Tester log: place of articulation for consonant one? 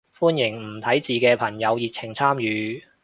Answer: labial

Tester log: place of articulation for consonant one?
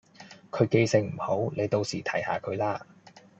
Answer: velar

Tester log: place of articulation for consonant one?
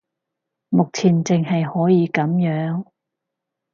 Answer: labial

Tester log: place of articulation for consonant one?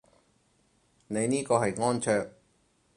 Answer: alveolar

